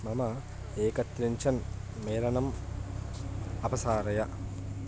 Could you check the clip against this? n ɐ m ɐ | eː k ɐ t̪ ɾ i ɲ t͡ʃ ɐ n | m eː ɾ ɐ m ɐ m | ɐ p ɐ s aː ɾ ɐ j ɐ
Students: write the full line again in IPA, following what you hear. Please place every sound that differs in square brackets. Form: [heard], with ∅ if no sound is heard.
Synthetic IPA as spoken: [m] ɐ m ɐ | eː k ɐ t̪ ɾ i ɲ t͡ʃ ɐ n | m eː ɾ ɐ [n] ɐ m | ɐ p ɐ s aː ɾ ɐ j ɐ